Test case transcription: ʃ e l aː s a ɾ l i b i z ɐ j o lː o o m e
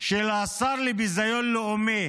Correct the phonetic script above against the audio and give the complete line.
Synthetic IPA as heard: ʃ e l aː s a ɾ l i b i z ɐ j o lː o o m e